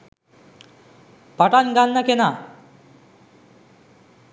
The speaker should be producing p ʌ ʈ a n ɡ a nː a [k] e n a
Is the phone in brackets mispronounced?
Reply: no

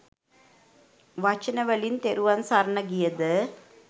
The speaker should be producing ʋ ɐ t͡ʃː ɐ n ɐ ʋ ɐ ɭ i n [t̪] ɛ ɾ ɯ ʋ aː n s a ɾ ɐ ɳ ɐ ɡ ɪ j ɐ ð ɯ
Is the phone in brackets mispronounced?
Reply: no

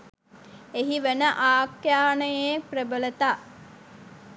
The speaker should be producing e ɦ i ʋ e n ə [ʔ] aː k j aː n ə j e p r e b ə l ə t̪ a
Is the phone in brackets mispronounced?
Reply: no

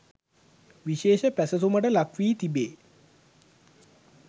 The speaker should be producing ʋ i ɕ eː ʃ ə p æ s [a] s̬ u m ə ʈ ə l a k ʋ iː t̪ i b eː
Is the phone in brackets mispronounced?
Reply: yes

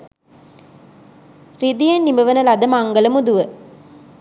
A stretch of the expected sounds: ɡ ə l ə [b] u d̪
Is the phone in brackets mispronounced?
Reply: yes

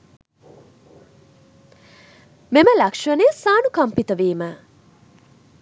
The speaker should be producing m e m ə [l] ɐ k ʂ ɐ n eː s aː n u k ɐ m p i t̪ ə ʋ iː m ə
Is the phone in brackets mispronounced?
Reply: no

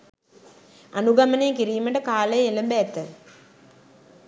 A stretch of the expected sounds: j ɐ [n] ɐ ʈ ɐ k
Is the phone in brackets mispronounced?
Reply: yes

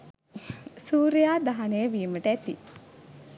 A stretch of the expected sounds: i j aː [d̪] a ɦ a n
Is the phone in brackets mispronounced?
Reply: no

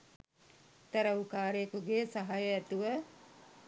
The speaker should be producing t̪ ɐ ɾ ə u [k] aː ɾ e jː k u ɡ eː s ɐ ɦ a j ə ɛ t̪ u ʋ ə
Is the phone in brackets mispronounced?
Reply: no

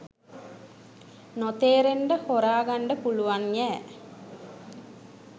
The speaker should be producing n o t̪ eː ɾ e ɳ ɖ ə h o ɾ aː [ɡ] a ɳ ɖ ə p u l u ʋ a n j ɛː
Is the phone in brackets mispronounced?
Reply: no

